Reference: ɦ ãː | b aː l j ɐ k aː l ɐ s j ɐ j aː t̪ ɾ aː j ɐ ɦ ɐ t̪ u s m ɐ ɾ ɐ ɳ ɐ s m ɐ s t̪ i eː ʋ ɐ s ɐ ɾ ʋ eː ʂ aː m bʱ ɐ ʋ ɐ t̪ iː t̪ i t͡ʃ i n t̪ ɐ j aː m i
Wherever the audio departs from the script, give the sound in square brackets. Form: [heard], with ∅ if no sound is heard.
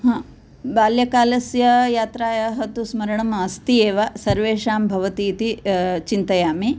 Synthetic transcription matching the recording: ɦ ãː | b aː l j ɐ k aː l ɐ s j ɐ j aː t̪ ɾ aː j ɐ ɦ ɐ t̪ u s m ɐ ɾ ɐ ɳ ɐ [∅] m ɐ s t̪ i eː ʋ ɐ s ɐ ɾ ʋ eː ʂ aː m bʱ ɐ ʋ ɐ t̪ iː t̪ i t͡ʃ i n t̪ ɐ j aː m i